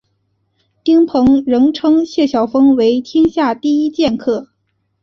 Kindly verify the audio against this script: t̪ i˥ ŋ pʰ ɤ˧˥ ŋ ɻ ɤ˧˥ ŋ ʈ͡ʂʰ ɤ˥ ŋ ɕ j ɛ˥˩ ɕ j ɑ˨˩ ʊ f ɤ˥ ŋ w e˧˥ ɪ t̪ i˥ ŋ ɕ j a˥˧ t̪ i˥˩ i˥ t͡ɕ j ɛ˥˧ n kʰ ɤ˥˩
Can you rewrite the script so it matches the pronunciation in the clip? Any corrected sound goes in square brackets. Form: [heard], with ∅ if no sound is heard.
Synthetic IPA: t̪ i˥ ŋ pʰ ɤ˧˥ ŋ ɻ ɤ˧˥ ŋ ʈ͡ʂʰ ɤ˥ ŋ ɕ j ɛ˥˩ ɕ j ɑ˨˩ ʊ f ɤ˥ ŋ w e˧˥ ɪ [t̪ʰ] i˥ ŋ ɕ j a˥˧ t̪ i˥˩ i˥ t͡ɕ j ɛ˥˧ n kʰ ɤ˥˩